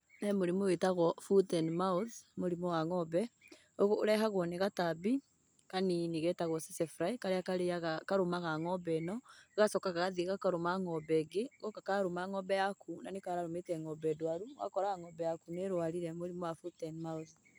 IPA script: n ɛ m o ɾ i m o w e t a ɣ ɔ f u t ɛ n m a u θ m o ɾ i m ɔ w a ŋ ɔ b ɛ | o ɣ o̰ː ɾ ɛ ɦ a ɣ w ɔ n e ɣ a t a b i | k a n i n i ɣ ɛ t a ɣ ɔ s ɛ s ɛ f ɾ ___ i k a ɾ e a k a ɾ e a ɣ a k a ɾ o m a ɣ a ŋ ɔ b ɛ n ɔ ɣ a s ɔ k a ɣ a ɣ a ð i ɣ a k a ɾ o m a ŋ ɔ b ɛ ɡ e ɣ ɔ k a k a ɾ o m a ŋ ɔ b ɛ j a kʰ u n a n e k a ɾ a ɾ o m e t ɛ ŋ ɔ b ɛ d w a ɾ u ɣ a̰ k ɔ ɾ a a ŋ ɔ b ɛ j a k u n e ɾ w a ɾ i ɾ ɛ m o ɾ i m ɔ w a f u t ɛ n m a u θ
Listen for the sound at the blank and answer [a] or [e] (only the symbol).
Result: a